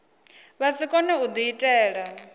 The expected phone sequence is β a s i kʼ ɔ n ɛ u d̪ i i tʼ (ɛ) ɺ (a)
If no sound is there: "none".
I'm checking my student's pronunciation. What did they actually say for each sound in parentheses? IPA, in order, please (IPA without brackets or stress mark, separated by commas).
ɛː, a